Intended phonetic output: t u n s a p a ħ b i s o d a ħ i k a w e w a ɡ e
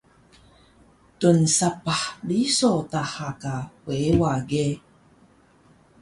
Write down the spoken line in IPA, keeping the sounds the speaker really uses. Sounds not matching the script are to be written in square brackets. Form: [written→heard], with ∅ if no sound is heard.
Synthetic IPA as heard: t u n s a p a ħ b i s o [d→t] a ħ [i→a] k a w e w a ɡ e